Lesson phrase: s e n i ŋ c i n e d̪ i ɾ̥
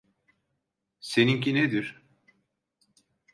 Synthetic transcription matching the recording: s e n i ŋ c i n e d̪ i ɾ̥